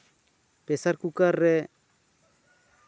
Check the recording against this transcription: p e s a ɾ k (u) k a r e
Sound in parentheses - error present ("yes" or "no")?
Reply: no